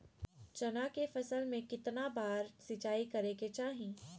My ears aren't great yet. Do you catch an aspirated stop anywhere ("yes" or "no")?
no